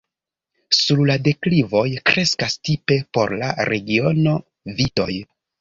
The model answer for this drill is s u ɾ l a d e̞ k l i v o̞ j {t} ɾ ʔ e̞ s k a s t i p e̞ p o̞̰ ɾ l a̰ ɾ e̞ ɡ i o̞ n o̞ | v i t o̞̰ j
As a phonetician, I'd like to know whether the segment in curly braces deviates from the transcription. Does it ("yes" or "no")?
yes